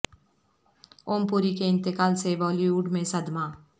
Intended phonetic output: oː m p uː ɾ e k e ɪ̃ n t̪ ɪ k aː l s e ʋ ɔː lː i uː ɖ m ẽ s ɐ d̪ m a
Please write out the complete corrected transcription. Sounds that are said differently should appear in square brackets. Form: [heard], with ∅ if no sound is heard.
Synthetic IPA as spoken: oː m p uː ɾ [i] k e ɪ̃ n t̪ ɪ k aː l s e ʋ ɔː [l] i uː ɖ m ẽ s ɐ d̪ m a